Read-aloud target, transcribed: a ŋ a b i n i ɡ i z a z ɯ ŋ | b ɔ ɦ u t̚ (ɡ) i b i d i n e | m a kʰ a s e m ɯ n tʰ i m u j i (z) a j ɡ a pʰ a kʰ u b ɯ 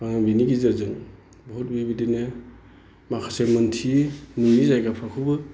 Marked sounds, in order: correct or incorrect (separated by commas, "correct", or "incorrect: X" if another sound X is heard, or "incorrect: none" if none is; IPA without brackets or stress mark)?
incorrect: b, correct